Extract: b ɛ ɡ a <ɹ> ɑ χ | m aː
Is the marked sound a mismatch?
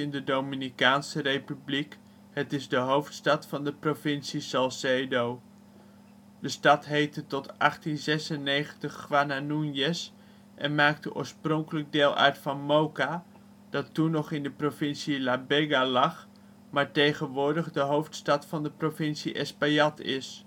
yes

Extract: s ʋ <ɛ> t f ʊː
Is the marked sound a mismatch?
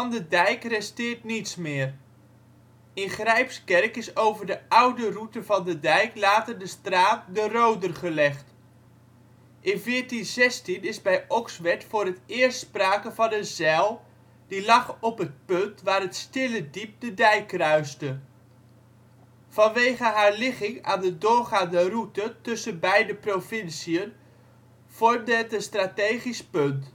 no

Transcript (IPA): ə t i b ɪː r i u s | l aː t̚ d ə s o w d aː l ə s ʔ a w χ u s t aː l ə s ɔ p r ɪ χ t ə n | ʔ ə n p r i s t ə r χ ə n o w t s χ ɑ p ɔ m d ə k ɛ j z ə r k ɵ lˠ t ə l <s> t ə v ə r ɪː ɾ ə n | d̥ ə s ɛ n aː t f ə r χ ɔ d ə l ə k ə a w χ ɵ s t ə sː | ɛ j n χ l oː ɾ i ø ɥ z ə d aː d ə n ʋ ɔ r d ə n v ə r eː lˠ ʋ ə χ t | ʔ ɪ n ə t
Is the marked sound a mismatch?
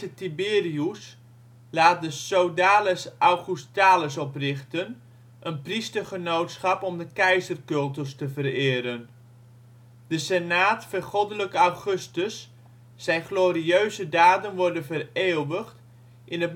no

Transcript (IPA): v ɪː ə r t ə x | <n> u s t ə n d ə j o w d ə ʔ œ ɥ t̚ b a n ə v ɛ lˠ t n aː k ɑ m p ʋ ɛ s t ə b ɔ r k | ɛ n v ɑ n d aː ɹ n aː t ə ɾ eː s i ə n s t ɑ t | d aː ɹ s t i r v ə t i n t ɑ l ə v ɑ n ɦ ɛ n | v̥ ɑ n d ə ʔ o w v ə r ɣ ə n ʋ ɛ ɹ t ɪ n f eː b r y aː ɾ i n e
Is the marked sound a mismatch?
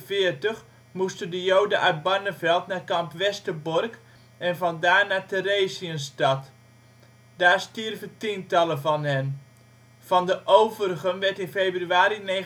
yes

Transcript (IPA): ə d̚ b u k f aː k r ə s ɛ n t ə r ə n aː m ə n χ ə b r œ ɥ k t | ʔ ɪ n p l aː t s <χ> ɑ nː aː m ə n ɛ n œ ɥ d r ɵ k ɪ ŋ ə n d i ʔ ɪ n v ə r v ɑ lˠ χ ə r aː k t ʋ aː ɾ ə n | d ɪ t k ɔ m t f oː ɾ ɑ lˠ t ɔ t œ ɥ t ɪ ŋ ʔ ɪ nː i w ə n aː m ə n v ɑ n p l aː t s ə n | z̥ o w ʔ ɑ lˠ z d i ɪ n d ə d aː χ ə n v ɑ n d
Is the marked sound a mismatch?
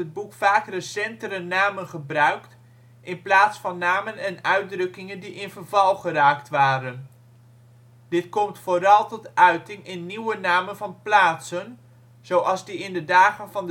yes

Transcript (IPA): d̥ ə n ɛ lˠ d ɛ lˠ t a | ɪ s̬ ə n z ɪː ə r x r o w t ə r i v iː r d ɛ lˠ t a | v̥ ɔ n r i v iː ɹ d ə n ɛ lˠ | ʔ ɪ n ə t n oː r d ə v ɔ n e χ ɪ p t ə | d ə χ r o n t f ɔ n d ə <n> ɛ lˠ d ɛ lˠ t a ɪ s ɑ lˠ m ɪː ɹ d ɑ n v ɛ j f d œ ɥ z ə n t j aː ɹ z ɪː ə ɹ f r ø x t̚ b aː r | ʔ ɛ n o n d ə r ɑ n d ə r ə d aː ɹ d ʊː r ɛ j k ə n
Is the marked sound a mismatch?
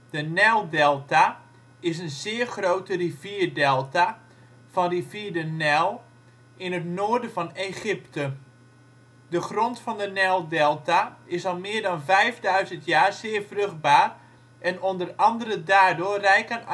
no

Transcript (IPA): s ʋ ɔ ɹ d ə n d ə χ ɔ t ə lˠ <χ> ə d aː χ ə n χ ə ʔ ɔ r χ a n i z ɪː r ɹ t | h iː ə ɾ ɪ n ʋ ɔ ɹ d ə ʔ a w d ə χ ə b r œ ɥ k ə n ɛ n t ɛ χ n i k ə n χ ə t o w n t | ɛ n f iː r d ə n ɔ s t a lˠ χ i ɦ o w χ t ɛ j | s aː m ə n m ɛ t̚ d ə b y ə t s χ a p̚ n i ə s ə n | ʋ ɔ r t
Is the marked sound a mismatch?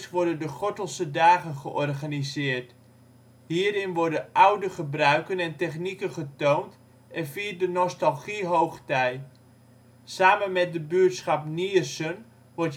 yes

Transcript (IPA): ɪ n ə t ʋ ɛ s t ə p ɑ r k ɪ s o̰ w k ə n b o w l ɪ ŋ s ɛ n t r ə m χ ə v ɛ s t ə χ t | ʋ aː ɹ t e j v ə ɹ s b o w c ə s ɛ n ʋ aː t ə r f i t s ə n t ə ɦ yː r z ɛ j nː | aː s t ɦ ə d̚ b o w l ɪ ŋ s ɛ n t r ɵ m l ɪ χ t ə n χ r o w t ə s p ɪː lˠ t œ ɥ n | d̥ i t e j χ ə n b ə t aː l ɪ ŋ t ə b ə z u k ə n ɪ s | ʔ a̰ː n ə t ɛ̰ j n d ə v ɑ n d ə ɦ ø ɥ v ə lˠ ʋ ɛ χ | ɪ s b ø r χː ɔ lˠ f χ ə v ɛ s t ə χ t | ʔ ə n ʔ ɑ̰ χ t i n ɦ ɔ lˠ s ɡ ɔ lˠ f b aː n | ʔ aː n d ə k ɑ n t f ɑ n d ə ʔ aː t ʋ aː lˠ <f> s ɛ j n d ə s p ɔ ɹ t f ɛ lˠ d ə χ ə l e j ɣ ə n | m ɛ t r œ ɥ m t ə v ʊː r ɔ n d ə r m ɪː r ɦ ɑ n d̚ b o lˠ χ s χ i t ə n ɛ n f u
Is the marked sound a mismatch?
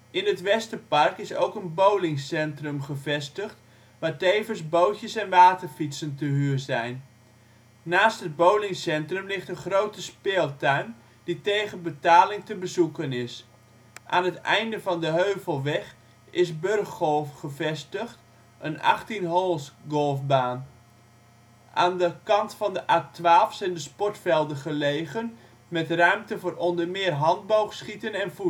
no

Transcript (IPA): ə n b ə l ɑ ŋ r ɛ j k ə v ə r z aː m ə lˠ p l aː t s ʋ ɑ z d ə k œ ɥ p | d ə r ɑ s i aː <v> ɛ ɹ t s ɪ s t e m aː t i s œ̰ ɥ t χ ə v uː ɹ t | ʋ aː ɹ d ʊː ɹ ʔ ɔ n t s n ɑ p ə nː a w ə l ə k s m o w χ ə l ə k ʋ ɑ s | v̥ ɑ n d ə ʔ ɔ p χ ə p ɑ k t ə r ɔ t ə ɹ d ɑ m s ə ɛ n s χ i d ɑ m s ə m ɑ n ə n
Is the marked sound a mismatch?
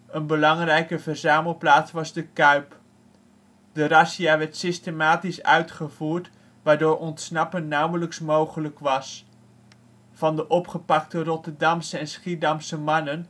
yes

